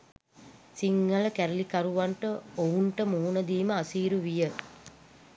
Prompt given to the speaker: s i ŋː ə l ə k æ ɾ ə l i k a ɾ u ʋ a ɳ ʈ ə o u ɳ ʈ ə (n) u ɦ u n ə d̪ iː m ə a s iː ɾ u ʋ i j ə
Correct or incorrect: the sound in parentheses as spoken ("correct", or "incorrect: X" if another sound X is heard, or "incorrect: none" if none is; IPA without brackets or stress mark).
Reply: incorrect: m